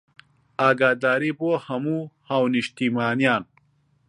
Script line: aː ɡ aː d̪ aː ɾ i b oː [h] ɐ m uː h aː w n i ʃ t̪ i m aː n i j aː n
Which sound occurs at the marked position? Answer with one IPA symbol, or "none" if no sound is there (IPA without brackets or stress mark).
h